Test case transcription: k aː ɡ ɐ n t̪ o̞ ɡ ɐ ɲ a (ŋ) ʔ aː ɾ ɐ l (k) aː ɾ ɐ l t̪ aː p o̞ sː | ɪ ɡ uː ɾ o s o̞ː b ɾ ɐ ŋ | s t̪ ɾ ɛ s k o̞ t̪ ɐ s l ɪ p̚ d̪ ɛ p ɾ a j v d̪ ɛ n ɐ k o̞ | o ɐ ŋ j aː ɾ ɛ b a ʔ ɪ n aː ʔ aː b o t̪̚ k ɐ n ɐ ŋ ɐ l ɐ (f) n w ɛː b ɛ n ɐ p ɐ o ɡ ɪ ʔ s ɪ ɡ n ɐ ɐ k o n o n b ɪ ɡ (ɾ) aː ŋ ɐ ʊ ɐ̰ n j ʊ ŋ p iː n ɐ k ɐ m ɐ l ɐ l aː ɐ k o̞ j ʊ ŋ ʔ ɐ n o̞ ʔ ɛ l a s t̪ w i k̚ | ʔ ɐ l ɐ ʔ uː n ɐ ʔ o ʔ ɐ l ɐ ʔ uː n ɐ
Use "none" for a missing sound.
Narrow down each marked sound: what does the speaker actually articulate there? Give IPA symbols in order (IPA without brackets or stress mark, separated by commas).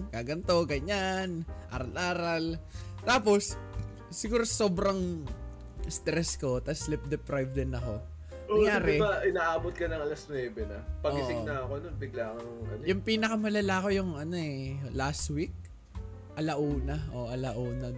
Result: n, ʔ, s, l